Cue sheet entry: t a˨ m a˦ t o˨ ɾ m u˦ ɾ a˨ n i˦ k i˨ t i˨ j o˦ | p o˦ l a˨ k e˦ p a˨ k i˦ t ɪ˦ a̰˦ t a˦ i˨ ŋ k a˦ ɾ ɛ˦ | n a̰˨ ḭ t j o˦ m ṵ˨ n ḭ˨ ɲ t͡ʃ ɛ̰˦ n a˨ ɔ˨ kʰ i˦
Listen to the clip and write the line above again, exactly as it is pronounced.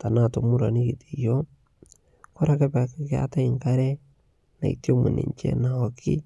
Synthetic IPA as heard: t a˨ n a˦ t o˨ m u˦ ɾ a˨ n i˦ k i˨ t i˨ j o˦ | k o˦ ɾ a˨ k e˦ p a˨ k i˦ k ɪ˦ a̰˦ t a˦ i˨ ŋ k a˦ ɾ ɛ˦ | n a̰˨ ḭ t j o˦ m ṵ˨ n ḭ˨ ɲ t͡ʃ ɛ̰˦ n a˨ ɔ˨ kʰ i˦